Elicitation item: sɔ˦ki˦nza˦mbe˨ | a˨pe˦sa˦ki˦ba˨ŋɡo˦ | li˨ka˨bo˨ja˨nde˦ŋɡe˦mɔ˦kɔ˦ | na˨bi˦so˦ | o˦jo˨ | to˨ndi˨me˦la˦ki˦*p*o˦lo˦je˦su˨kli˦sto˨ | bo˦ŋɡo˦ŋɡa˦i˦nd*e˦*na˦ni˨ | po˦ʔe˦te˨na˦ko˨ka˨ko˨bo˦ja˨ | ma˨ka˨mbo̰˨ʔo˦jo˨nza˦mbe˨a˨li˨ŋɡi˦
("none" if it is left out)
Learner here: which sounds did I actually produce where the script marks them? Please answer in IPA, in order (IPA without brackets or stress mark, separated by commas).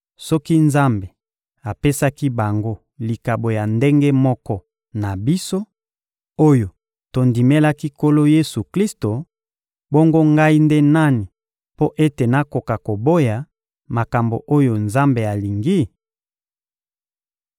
k, e˦